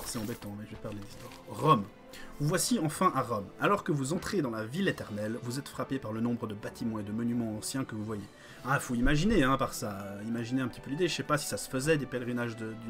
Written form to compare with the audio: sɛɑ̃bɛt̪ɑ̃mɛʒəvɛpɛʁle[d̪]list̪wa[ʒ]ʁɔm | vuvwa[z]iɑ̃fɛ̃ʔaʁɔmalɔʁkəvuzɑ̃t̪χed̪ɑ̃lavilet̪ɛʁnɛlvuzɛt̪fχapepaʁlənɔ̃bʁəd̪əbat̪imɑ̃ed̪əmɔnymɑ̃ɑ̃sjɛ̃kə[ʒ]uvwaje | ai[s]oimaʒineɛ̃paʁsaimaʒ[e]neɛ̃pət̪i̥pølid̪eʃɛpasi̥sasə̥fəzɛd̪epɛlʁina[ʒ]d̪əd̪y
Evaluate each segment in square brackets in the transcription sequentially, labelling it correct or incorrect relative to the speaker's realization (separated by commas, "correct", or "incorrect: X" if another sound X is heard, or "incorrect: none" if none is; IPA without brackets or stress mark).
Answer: correct, incorrect: ʁ, incorrect: s, incorrect: v, incorrect: f, incorrect: i, correct